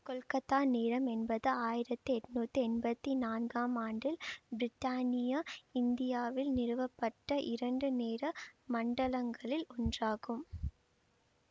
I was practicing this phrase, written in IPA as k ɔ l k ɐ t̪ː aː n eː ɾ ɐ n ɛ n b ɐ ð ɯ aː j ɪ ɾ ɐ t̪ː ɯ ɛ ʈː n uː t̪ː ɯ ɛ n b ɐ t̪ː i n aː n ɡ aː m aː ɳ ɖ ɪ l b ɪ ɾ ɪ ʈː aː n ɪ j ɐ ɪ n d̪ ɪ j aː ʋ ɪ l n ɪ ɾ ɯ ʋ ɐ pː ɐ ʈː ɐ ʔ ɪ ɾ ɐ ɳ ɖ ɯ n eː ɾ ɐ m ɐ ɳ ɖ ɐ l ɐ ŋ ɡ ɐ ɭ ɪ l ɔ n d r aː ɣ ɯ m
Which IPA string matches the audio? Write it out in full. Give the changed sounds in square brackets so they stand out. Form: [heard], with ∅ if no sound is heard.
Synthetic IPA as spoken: k ɔ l k ɐ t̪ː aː n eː ɾ ɐ [m] ɛ n b ɐ ð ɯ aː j ɪ ɾ ɐ t̪ː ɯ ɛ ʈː n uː t̪ː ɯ ɛ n b ɐ t̪ː i n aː n ɡ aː m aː ɳ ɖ ɪ l b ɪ ɾ ɪ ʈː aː n ɪ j ɐ ɪ n d̪ ɪ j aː ʋ ɪ l n ɪ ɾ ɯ ʋ ɐ pː ɐ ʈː ɐ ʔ ɪ ɾ ɐ ɳ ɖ ɯ n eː ɾ ɐ m ɐ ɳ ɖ ɐ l ɐ ŋ ɡ ɐ ɭ ɪ l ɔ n d r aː ɣ ɯ m

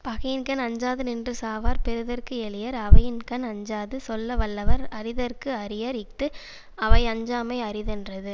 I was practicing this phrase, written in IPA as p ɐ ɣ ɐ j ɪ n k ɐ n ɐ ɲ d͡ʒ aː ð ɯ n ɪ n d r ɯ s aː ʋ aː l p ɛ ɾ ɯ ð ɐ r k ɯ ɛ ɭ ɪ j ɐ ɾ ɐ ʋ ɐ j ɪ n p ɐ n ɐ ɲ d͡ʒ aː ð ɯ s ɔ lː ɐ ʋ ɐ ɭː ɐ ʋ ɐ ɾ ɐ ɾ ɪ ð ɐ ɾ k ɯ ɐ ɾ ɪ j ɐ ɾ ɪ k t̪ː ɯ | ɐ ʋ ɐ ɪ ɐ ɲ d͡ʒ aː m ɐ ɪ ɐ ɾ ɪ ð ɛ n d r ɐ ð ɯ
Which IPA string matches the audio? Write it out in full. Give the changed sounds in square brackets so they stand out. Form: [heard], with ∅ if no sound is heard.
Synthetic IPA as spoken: p ɐ ɣ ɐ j ɪ n k ɐ n ɐ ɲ d͡ʒ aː ð ɯ n ɪ n d r ɯ s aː ʋ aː [ɾ] p ɛ ɾ ɯ ð ɐ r k ɯ ɛ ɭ ɪ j ɐ ɾ ɐ ʋ ɐ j ɪ n [k] ɐ n ɐ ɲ d͡ʒ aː ð ɯ s ɔ lː ɐ ʋ ɐ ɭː ɐ ʋ ɐ ɾ ɐ ɾ ɪ ð ɐ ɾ k ɯ ɐ ɾ ɪ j ɐ ɾ ɪ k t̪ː ɯ | ɐ ʋ ɐ ɪ ɐ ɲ d͡ʒ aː m ɐ ɪ ɐ ɾ ɪ ð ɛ n d r ɐ ð ɯ

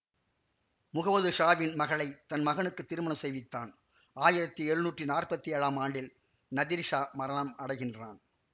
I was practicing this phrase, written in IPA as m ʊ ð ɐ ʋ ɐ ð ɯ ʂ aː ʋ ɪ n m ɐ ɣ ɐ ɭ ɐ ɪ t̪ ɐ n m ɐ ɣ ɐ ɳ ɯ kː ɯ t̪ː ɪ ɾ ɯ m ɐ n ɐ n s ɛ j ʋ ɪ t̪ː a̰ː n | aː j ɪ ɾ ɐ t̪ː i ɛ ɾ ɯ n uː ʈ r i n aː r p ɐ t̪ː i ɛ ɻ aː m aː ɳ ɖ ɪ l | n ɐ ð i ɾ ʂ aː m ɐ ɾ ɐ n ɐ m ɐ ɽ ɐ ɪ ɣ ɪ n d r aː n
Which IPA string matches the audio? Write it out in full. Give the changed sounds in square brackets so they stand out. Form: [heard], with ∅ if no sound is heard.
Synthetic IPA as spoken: m ʊ [ɣ] ɐ ʋ ɐ ð ɯ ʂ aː ʋ ɪ n m ɐ ɣ ɐ ɭ ɐ ɪ t̪ ɐ n m ɐ ɣ ɐ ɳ ɯ kː ɯ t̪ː ɪ ɾ ɯ m ɐ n ɐ [m] s ɛ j ʋ ɪ t̪ː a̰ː n | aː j ɪ ɾ ɐ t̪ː i ɛ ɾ ɯ n uː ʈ r i n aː r p ɐ t̪ː i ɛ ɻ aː m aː ɳ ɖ ɪ l | n ɐ ð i ɾ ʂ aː m ɐ ɾ ɐ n ɐ m ɐ ɽ ɐ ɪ ɣ ɪ n d r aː n

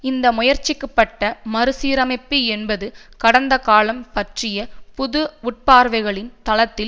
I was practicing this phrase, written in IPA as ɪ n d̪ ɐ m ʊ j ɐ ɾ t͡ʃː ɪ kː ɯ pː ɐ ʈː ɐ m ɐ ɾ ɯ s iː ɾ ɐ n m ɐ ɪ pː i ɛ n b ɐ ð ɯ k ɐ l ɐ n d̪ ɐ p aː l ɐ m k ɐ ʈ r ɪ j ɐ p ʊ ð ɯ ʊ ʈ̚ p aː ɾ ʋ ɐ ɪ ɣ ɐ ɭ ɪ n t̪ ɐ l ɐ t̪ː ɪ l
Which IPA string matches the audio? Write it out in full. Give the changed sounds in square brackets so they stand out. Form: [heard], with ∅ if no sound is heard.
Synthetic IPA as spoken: ɪ n d̪ ɐ m ʊ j ɐ ɾ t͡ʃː ɪ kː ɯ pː ɐ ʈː ɐ m ɐ ɾ ɯ s iː ɾ ɐ [∅] m ɐ ɪ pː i ɛ n b ɐ ð ɯ k ɐ [ɽ] ɐ n d̪ ɐ [k] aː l ɐ m [p] ɐ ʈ r ɪ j ɐ p ʊ ð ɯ ʊ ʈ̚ p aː ɾ ʋ ɐ ɪ ɣ ɐ ɭ ɪ n t̪ ɐ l ɐ t̪ː ɪ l

